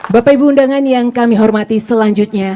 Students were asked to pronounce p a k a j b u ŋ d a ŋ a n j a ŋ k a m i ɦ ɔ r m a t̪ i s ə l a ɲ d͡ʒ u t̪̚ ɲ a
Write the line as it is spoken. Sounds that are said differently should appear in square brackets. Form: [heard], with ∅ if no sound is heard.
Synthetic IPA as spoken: [b] a [p] a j b u [n] d a ŋ a n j a ŋ k a m i ɦ ɔ r m a t̪ i s ə l a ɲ d͡ʒ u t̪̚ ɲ a